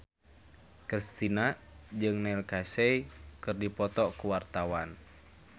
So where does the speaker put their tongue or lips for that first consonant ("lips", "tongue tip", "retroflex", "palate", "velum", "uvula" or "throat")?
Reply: velum